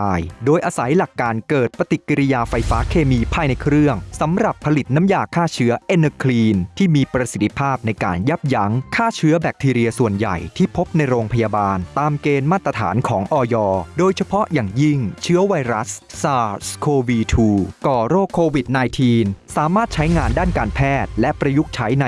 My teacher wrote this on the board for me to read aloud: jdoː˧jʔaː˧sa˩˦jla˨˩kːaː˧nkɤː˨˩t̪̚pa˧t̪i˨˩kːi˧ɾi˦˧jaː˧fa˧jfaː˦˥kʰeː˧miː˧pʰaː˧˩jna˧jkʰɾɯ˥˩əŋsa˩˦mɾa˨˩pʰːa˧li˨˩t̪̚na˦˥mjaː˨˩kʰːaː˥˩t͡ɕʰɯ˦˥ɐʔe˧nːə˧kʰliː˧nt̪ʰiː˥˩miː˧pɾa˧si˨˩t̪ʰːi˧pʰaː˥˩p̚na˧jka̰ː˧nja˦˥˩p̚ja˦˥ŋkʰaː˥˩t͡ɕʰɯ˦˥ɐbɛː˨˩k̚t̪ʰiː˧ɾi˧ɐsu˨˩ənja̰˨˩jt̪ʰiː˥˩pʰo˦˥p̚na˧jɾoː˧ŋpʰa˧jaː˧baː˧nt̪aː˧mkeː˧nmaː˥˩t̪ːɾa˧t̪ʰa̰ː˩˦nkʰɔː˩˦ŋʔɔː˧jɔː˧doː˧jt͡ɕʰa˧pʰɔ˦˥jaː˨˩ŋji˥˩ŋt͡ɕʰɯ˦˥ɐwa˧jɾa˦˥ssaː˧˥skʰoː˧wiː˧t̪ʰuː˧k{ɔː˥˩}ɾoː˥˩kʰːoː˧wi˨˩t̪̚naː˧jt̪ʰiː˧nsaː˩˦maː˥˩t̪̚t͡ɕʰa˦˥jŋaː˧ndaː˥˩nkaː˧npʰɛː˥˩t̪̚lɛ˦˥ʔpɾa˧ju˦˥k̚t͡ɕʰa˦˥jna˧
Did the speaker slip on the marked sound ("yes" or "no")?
yes